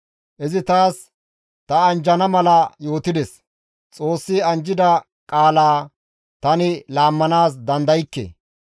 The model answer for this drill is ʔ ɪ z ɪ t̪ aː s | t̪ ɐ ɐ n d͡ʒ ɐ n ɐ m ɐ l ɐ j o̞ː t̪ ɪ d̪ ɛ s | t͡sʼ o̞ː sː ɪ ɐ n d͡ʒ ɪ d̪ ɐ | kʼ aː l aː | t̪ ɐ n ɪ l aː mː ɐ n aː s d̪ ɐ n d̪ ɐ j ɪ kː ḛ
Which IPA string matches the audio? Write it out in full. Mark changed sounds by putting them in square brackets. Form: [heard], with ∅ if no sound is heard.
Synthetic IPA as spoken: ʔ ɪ z ɪ t̪ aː s | t̪ ɐ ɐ n d͡ʒ ɐ n ɐ m ɐ l ɐ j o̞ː t̪ ɪ d̪ ɛ s | t͡sʼ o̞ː sː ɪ ɐ n d͡ʒ ɪ d̪ ɐ | kʼ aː l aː | t̪ ɐ n ɪ l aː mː ɐ n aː s d̪ ɐ n d̪ ɐ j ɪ kː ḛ